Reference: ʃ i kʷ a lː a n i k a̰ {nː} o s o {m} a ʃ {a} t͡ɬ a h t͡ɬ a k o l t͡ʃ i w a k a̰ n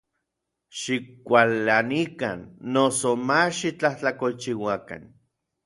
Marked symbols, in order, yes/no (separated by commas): yes, yes, no